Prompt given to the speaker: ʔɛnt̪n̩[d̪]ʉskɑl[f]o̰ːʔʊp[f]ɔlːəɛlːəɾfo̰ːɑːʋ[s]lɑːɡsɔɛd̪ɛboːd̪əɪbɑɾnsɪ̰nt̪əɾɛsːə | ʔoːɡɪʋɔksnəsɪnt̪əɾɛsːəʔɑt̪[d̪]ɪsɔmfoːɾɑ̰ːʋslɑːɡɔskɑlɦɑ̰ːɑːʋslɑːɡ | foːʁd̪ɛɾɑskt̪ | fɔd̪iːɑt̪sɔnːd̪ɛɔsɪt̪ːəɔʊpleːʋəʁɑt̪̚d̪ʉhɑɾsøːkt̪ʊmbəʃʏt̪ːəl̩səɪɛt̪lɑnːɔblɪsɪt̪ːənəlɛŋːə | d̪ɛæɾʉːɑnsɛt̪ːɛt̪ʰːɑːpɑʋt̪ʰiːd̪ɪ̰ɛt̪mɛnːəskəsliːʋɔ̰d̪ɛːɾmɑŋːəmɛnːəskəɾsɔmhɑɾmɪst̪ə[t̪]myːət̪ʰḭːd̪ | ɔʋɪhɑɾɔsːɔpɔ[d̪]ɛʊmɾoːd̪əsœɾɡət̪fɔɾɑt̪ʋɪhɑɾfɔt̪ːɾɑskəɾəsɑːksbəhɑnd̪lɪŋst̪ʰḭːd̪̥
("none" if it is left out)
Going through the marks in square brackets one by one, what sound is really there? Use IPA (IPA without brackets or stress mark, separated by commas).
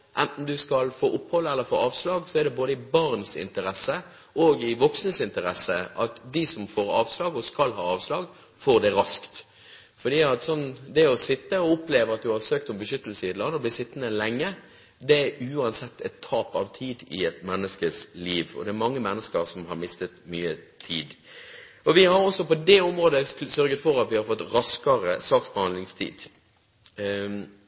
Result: d̪, f, h, s, d̪, t̪, d̪